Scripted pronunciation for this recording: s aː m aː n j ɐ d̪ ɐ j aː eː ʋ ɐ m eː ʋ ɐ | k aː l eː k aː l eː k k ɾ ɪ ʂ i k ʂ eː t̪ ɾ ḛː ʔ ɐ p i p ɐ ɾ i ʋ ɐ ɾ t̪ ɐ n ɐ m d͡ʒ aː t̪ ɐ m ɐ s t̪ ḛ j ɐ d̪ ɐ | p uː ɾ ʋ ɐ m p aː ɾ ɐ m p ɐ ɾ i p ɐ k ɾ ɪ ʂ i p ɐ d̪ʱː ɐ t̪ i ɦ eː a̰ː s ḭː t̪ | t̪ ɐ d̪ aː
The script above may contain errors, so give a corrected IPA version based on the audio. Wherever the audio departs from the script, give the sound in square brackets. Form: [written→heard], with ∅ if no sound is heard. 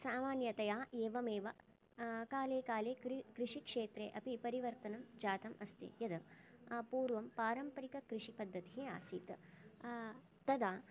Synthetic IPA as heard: s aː m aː n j ɐ [d̪→t̪] ɐ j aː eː ʋ ɐ m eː ʋ ɐ | k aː l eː k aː l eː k k ɾ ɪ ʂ i k ʂ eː t̪ ɾ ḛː ʔ ɐ p i p ɐ ɾ i ʋ ɐ ɾ t̪ ɐ n ɐ m d͡ʒ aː t̪ ɐ m ɐ s t̪ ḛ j ɐ d̪ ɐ | p uː ɾ ʋ ɐ m p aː ɾ ɐ m p ɐ ɾ i [p→k] ɐ k ɾ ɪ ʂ i p ɐ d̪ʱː ɐ t̪ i ɦ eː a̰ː s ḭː t̪ | t̪ ɐ d̪ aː

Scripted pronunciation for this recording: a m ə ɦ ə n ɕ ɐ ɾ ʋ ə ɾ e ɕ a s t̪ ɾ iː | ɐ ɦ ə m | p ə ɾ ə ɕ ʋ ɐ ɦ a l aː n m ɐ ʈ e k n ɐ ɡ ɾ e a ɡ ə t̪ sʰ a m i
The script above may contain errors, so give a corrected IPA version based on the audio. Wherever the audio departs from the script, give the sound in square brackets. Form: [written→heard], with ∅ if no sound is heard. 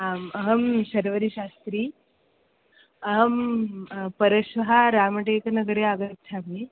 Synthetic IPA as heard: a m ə ɦ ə [n→m] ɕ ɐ ɾ ʋ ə ɾ [e→i] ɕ a s t̪ ɾ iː | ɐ ɦ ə m | p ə ɾ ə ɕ ʋ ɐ ɦ a [l→ɾ] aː [n→∅] m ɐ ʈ e k n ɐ ɡ ɾ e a ɡ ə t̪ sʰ a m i

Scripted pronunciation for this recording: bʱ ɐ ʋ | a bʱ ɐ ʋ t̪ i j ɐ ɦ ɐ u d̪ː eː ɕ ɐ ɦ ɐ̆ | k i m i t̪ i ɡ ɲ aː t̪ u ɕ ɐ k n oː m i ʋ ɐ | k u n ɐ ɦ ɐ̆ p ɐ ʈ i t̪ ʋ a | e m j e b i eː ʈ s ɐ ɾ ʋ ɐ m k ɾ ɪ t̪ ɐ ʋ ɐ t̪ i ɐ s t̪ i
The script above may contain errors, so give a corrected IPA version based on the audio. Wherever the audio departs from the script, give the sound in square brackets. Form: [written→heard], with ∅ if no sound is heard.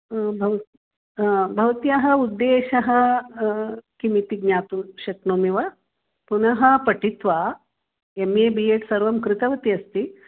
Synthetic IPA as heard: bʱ ɐ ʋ | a bʱ ɐ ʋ t̪ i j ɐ ɦ ɐ u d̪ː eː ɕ ɐ ɦ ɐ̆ | k i m i t̪ i ɡ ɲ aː t̪ u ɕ ɐ k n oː m i ʋ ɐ | [k→p] u n ɐ ɦ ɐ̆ p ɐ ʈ i t̪ ʋ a | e m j e b i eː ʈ s ɐ ɾ ʋ ɐ m k ɾ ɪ t̪ ɐ ʋ ɐ t̪ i ɐ s t̪ i

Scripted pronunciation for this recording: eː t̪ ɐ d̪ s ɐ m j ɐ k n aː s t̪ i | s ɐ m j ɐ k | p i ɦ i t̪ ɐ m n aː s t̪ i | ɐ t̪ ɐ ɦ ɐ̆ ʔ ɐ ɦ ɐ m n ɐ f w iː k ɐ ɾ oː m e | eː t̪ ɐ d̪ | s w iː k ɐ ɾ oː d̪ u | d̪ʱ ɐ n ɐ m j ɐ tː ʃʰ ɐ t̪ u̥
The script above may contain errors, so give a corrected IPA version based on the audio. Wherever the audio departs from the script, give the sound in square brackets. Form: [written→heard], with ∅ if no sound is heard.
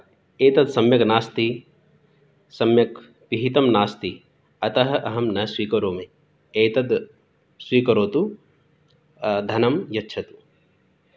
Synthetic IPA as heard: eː t̪ ɐ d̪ s ɐ m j ɐ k n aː s t̪ i | s ɐ m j ɐ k | p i ɦ i t̪ ɐ m n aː s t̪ i | ɐ t̪ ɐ ɦ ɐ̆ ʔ ɐ ɦ ɐ m n ɐ [f→s] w iː k ɐ ɾ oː m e | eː t̪ ɐ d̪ | s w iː k ɐ ɾ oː [d̪→t̪] u | d̪ʱ ɐ n ɐ m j ɐ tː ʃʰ ɐ t̪ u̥

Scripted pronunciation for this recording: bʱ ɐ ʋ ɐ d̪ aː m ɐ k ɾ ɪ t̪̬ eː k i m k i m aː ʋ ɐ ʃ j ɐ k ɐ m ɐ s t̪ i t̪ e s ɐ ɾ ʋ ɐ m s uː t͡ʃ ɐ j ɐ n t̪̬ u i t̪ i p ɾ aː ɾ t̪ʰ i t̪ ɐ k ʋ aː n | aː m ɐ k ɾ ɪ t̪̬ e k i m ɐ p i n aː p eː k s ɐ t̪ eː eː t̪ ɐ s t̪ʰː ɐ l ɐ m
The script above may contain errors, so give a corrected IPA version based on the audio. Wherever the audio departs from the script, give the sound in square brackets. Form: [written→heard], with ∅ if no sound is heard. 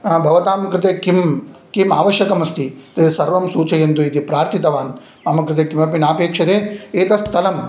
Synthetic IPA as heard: bʱ ɐ ʋ ɐ [d̪→t̪] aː m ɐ k ɾ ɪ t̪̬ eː k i m k i m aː ʋ ɐ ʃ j ɐ k ɐ m ɐ s t̪ i t̪ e s ɐ ɾ ʋ ɐ m s uː t͡ʃ ɐ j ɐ n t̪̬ u i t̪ i p ɾ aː ɾ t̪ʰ i t̪ ɐ [k→∅] ʋ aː n | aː m ɐ k ɾ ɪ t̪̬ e k i m ɐ p i n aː p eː k [s→ʂ] ɐ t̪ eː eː t̪ ɐ s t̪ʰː ɐ l ɐ m

